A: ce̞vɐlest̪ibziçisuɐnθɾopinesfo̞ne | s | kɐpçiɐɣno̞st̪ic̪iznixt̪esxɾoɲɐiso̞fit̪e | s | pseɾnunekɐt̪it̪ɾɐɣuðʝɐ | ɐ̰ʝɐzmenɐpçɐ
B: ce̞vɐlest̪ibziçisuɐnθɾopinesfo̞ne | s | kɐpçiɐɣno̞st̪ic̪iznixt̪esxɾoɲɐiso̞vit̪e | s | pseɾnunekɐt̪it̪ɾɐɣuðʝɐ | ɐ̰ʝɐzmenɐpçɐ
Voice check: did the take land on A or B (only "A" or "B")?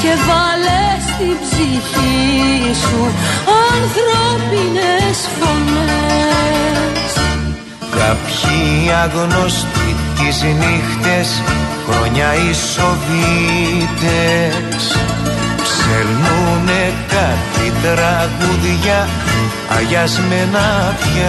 B